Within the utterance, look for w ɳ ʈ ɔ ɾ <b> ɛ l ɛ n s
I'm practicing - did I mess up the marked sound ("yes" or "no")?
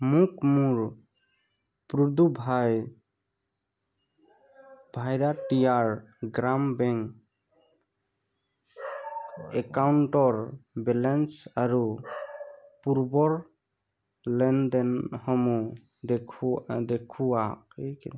no